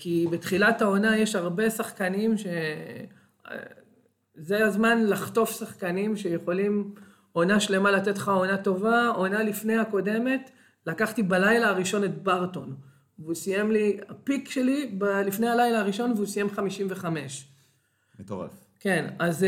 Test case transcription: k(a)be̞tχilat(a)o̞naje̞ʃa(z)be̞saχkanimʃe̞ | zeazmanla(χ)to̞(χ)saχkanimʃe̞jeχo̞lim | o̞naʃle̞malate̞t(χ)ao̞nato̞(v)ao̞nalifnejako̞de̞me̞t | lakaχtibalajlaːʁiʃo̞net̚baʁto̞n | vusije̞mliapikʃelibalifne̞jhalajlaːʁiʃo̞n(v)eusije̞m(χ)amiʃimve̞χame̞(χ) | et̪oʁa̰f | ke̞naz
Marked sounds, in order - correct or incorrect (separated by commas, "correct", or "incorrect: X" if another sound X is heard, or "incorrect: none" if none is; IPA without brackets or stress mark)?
incorrect: i, correct, incorrect: ʁ, correct, incorrect: f, correct, correct, correct, correct, incorrect: ʃ